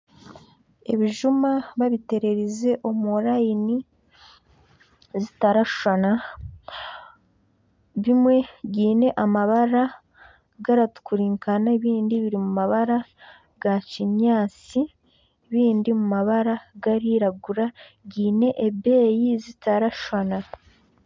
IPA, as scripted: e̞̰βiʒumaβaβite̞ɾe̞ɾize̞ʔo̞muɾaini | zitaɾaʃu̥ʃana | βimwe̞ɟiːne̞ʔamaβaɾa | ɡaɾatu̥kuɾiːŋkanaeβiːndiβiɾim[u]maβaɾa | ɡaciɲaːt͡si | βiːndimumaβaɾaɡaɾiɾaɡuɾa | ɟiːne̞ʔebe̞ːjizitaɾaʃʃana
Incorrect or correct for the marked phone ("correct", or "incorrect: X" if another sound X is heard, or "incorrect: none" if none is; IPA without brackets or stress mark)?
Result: correct